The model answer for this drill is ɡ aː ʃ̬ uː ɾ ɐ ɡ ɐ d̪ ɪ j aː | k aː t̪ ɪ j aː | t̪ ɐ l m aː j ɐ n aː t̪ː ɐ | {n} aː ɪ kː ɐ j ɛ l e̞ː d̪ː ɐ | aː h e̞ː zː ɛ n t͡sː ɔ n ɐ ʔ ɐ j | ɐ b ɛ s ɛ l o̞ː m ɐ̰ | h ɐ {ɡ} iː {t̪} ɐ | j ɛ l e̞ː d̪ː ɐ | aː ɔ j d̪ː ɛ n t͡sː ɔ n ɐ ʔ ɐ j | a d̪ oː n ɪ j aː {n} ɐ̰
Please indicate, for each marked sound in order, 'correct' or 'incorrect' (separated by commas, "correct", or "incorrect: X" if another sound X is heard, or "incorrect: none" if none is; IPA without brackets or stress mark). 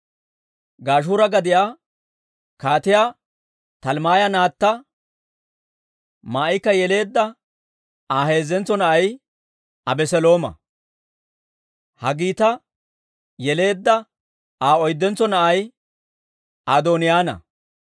incorrect: m, correct, correct, correct